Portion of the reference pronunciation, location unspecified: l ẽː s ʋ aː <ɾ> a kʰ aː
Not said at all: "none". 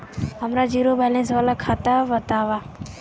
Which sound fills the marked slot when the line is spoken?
l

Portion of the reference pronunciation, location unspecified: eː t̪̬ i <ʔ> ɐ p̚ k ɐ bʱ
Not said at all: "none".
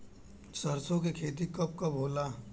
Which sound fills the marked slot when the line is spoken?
k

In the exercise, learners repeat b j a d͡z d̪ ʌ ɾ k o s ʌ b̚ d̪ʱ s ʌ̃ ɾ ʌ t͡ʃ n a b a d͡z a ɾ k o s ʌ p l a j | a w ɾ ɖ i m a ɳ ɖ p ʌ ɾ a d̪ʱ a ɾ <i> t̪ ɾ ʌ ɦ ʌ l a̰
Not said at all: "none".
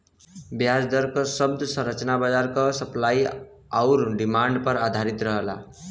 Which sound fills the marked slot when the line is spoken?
i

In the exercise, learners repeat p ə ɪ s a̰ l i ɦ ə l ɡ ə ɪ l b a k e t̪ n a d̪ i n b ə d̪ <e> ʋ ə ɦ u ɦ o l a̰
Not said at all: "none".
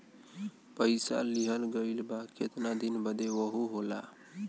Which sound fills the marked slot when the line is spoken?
e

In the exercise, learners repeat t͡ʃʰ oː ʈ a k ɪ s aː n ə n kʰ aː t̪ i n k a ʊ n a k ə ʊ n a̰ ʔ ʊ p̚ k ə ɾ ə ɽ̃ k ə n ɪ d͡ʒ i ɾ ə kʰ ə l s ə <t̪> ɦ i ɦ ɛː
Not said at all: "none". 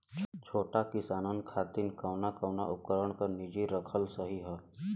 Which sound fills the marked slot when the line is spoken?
none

